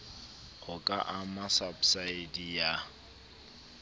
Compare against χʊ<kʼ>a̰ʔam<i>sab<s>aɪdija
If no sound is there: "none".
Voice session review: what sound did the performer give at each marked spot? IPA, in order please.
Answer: kʼ, a, s

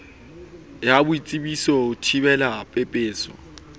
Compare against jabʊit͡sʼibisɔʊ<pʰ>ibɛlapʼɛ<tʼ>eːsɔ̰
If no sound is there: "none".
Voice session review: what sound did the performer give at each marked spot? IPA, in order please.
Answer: tʰ, pʼ

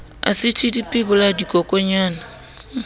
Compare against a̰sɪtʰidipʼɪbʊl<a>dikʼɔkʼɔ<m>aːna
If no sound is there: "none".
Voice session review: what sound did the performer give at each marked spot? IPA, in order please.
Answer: a, ɲ

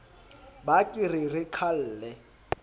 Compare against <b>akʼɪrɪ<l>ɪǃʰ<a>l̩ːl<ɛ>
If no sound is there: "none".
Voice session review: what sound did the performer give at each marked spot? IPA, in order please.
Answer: b, r, a, ɛ

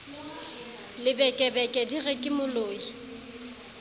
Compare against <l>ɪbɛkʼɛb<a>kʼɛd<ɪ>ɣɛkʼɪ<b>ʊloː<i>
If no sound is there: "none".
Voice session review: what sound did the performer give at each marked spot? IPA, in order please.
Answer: l, ɛ, i, m, i

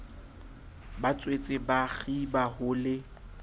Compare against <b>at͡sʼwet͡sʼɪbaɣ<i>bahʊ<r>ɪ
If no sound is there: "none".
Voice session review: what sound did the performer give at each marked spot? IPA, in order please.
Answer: b, i, l

